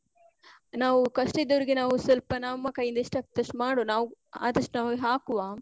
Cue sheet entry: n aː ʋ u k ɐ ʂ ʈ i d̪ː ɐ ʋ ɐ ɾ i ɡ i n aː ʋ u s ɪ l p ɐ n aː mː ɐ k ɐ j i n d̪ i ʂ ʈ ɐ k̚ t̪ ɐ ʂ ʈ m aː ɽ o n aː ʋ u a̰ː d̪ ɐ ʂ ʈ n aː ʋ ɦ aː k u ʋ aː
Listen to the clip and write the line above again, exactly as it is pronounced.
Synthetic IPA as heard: n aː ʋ u k ɐ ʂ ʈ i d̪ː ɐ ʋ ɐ ɾ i ɡ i n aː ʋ u s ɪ l p ɐ n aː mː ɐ k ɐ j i n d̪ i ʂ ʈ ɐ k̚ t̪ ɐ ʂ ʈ m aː ɽ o n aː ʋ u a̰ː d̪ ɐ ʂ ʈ n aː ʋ ɦ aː k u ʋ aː